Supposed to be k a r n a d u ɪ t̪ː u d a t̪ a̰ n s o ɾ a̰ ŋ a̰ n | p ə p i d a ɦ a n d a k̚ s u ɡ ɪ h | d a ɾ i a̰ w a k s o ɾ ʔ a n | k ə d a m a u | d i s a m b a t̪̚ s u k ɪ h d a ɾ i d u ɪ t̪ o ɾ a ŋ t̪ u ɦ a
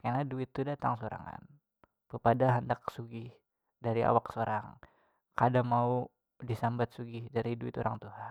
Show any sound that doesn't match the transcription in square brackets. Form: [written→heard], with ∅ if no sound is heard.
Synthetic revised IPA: k a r n a d u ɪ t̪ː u d a t̪ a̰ [n→ŋ] s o ɾ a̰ ŋ a̰ n | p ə p [i→a] d a ɦ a n d a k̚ s u ɡ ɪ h | d a ɾ i a̰ w a k s o ɾ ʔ a [n→ŋ] | k [ə→a] d a m a u | d i s a m b a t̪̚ s u [k→ɡ] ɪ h d a ɾ i d u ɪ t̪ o ɾ a ŋ t̪ u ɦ a